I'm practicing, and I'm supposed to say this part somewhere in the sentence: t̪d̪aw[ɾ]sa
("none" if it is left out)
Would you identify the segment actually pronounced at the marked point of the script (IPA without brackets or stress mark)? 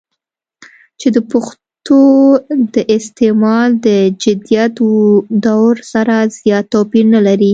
ɾ